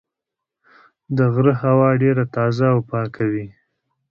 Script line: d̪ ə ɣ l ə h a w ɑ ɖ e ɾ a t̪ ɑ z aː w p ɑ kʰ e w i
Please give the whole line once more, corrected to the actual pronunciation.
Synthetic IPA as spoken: d̪ ə ɣ ɾ ə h a w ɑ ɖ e ɾ a t̪ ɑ z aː w p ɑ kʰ a w i